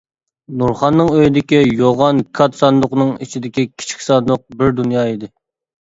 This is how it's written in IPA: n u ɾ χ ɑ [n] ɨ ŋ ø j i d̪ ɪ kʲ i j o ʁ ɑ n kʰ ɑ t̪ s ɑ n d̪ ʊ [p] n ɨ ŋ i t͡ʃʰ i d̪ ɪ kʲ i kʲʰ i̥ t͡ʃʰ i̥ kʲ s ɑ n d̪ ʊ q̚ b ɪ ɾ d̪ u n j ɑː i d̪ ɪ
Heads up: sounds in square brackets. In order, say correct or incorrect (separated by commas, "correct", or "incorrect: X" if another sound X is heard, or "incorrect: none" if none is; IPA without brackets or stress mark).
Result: incorrect: nː, incorrect: q